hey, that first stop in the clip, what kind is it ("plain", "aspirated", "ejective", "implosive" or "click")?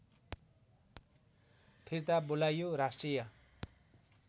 aspirated